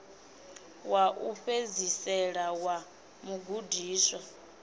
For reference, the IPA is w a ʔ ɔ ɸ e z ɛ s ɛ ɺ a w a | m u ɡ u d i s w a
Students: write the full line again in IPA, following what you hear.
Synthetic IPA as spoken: w a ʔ u ɸ e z i s ɛ ɺ a w a | m u ɡ u d iː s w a